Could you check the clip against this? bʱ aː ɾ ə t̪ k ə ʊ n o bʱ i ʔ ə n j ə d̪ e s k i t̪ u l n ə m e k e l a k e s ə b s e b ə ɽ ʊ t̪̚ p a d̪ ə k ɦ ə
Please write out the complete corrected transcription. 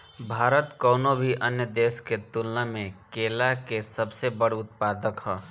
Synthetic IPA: bʱ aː ɾ ə t̪ k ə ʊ n o bʱ i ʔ ə n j ə d̪ e s k e t̪ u l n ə m e k e l a k e s ə b s e b ə ɽ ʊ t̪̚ p a d̪ ə k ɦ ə